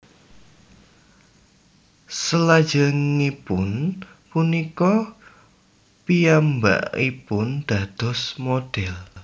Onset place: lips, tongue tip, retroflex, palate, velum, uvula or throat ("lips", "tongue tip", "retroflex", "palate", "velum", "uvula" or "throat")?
tongue tip